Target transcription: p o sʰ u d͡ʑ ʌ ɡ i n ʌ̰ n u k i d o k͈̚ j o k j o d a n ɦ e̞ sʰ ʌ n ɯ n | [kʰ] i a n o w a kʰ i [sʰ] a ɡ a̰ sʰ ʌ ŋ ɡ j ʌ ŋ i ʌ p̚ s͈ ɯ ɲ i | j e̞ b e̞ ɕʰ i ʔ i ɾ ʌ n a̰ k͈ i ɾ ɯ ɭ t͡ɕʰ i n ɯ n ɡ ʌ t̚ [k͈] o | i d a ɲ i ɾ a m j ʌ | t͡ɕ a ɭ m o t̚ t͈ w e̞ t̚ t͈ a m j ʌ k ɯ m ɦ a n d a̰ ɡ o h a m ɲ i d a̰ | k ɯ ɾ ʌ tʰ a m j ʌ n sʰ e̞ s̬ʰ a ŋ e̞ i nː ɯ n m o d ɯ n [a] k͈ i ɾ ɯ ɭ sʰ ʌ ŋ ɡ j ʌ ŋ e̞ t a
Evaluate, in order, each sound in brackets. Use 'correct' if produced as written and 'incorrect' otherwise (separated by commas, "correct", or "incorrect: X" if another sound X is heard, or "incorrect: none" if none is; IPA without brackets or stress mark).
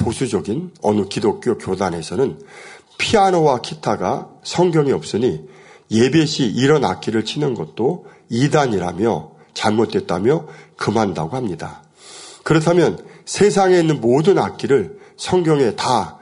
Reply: incorrect: pʰ, incorrect: tʰ, incorrect: t͈, correct